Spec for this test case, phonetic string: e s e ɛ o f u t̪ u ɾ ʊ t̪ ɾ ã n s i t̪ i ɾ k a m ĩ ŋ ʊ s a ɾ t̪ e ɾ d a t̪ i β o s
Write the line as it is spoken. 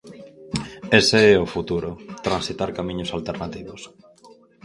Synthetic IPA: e s e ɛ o f u t̪ u ɾ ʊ t̪ ɾ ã n s i t̪ a ɾ k a m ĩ ɲ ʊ s a l t̪ e ɾ n a t̪ i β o s